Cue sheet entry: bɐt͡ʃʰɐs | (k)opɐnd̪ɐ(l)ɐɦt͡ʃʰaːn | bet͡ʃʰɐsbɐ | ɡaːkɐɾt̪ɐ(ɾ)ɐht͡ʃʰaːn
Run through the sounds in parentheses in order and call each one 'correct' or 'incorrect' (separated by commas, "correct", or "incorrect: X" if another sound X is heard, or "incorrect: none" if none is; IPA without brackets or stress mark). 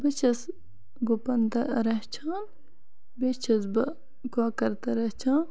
incorrect: ɡ, incorrect: ɾ, correct